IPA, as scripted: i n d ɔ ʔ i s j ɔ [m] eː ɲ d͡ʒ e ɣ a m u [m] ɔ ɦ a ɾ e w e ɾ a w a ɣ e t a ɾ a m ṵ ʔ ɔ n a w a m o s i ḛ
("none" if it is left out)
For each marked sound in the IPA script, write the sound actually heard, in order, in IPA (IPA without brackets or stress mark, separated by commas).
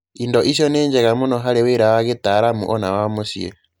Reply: n, n